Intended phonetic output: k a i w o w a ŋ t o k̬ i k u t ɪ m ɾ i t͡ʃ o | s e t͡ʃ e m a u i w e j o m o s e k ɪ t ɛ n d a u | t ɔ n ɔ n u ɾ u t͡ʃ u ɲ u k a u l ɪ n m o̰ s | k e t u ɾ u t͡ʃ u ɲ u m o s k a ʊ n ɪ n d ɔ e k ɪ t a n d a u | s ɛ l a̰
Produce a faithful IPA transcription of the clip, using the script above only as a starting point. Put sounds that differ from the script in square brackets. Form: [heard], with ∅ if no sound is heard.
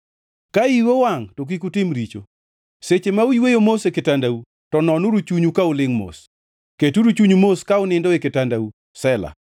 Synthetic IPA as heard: k a i w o w a ŋ t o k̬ i k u t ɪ m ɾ i t͡ʃ o | s e t͡ʃ e m a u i w e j o m o s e k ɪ t [a] n d a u | t ɔ n ɔ n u ɾ u t͡ʃ u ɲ u k a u l ɪ [ŋ] m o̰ s | k e t u ɾ u t͡ʃ u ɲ u m o s k a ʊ n ɪ n d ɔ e k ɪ t a n d a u | s ɛ l a̰

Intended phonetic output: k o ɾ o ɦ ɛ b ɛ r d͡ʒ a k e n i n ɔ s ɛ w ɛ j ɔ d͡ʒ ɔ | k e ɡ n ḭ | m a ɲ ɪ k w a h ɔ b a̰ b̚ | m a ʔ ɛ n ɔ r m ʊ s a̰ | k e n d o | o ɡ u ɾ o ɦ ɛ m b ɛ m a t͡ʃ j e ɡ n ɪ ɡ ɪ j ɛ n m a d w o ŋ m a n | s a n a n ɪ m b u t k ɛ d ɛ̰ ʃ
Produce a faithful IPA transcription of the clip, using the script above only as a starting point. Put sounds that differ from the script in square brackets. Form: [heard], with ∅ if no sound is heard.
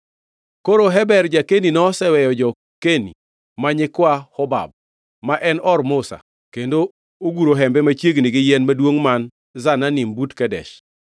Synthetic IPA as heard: k o ɾ o ɦ ɛ b ɛ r d͡ʒ a k e n i n ɔ s ɛ w ɛ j ɔ d͡ʒ ɔ | k e [∅] n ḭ | m a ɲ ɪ k w a h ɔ b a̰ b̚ | m a ʔ ɛ n ɔ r m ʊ s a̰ | k e n d o | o ɡ u ɾ o ɦ ɛ m b ɛ m a t͡ʃ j e ɡ n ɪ ɡ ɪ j ɛ n m a d w o ŋ m a n | [z] a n a n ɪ m b u t k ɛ d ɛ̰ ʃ

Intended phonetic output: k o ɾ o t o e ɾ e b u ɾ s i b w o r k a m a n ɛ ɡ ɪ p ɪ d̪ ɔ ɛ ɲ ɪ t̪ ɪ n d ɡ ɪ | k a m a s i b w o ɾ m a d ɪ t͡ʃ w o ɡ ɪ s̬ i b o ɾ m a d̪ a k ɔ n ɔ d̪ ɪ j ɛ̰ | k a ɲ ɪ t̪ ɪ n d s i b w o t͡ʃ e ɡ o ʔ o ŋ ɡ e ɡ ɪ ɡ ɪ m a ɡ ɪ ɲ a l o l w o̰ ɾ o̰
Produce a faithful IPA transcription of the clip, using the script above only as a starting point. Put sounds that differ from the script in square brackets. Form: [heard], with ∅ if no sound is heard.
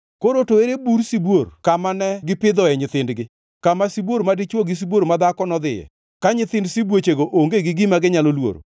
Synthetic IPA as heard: k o ɾ o t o e ɾ e b u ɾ s i b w o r k a m a n ɛ ɡ ɪ p ɪ d̪ ɔ ɛ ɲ ɪ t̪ ɪ n d ɡ ɪ | k a m a s i b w o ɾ m a d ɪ t͡ʃ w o ɡ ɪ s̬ i b o ɾ m a d̪ a k ɔ n ɔ d̪ ɪ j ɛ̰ | k a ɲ ɪ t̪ ɪ n d s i b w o t͡ʃ e ɡ o ʔ o ŋ ɡ e ɡ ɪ ɡ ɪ m a ɡ ɪ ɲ a l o l w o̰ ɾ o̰

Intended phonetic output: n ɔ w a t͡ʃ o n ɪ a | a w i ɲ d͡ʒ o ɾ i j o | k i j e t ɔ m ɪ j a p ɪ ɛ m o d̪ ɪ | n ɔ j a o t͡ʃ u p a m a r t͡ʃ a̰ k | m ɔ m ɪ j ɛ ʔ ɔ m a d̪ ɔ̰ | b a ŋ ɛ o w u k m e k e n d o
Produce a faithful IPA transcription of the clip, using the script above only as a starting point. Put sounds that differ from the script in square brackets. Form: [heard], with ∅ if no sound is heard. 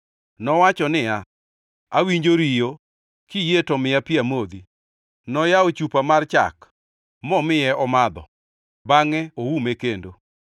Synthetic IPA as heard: n ɔ w a t͡ʃ [ɔ] n ɪ a | a w i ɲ d͡ʒ o ɾ i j o | k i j e t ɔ m ɪ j a p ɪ [a] m o d̪ [i] | n ɔ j a o t͡ʃ u p a m a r t͡ʃ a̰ k | m ɔ m ɪ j ɛ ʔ ɔ m a d̪ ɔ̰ | b a ŋ ɛ o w u [∅] m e k e n d o

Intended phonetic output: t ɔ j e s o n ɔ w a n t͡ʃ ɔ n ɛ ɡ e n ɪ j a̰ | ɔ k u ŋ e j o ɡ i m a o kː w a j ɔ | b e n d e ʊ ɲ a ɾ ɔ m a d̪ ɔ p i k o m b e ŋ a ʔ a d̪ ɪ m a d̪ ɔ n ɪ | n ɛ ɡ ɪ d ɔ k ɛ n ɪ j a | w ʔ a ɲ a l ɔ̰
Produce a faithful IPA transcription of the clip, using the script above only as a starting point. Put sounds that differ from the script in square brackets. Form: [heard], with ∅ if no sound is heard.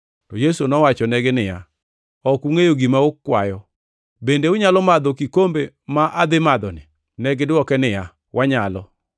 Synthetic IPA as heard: t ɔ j e s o n ɔ w a [∅] t͡ʃ ɔ n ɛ ɡ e n ɪ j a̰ | ɔ k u ŋ e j o ɡ i m a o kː w a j ɔ | b e n d e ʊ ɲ a [l] ɔ m a d̪ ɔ [k] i k o m b e [m] a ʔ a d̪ ɪ m a d̪ ɔ n ɪ | n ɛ ɡ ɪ d ɔ k ɛ n ɪ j a | w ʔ a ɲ a l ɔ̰

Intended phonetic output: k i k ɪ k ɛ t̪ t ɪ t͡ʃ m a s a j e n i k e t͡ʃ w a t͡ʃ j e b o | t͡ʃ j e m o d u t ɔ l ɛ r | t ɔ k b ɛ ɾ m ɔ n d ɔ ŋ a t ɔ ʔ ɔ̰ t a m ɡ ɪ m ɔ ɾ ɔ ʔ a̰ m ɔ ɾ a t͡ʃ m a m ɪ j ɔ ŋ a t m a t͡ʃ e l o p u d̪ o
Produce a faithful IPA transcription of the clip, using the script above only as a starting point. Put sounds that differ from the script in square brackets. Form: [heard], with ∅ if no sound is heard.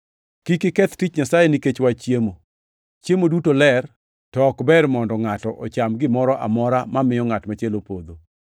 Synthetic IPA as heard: k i k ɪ k ɛ t̪ t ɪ t͡ʃ [ɲ] a s a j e n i k e t͡ʃ w a t͡ʃ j e [m] o | t͡ʃ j e m o d u t [o] l ɛ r | t ɔ k b ɛ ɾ m ɔ n d ɔ ŋ a t ɔ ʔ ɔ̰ [t͡ʃ] a m ɡ ɪ m ɔ ɾ ɔ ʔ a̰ m ɔ ɾ a [∅] m a m ɪ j ɔ ŋ a t m a t͡ʃ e l o p [o] d̪ o

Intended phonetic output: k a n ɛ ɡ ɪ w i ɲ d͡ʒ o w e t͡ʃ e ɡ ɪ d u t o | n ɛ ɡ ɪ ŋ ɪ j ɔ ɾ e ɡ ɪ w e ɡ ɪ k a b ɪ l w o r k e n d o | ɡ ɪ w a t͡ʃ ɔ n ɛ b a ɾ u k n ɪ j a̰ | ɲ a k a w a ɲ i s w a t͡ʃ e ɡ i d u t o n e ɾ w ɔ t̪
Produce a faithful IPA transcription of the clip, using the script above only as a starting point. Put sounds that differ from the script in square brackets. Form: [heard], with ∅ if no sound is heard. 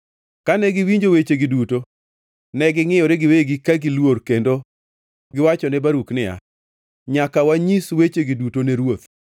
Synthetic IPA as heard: k a n ɛ ɡ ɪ w i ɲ d͡ʒ o w e t͡ʃ e ɡ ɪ d u t o | n ɛ ɡ ɪ ŋ ɪ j ɔ ɾ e ɡ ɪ w e ɡ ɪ k a [ɡ] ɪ l w o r k e n d o | ɡ ɪ w a t͡ʃ ɔ n ɛ b a ɾ u k n ɪ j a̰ | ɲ a k a w a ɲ i s w [e] t͡ʃ e ɡ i d u t o n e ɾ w [o] t̪

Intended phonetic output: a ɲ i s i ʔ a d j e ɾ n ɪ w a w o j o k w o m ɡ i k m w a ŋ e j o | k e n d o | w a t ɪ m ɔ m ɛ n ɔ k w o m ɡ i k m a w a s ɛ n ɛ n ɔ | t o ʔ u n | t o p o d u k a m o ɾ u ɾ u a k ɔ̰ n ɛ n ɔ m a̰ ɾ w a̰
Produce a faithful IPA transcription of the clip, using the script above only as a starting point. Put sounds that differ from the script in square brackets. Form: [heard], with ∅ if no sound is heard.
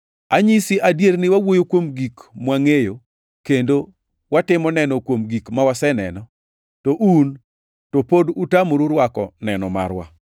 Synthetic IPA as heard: a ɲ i s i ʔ a d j e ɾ n ɪ w a w o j o k w o m ɡ i k m w a ŋ e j o | k e n d o | w a t ɪ m ɔ [n] ɛ n ɔ k w o m ɡ i k m a w a s ɛ n ɛ n ɔ | t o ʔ u n | t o p o d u [t] a m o ɾ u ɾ [w] a k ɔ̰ n ɛ n ɔ m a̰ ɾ w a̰

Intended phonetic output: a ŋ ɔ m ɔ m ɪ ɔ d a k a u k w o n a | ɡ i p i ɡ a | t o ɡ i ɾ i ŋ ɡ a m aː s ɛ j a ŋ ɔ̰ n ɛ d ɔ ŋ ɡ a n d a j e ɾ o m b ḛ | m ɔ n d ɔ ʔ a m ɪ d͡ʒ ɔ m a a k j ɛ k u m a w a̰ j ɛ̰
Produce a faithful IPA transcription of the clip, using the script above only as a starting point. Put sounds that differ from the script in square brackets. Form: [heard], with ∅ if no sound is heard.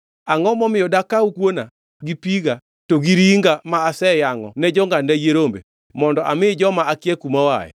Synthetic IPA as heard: a ŋ ɔ m ɔ m ɪ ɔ d a k a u k w o n a | ɡ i p i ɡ a | t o ɡ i ɾ i ŋ ɡ a m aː s ɛ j a ŋ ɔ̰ n ɛ [d͡ʒ] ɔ ŋ ɡ a n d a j e ɾ o m b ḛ | m ɔ n d ɔ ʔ a m ɪ d͡ʒ ɔ m a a k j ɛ k u m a w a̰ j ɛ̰

